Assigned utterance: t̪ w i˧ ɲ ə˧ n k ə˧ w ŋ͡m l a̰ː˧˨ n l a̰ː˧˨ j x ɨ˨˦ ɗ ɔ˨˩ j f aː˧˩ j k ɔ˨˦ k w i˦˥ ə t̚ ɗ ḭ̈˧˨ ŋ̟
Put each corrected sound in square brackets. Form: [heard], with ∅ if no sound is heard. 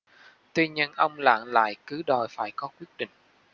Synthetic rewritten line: t̪ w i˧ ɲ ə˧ n [ʔ] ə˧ w ŋ͡m l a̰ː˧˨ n l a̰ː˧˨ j [k] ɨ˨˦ ɗ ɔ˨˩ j f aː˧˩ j k ɔ˨˦ k w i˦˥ ə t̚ ɗ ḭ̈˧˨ ŋ̟